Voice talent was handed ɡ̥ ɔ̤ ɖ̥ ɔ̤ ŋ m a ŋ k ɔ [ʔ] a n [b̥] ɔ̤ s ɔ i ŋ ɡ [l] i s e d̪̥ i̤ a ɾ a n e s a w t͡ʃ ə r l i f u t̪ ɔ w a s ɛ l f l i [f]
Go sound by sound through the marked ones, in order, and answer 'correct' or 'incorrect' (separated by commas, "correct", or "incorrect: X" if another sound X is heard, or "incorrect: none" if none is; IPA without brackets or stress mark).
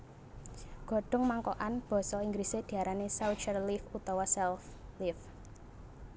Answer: correct, correct, incorrect: ɾ, correct